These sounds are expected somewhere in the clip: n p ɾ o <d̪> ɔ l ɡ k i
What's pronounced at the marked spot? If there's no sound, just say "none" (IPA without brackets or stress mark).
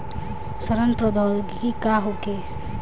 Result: d̪